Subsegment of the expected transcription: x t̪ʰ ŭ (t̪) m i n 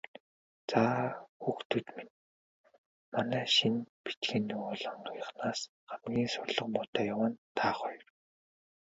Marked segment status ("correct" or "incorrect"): correct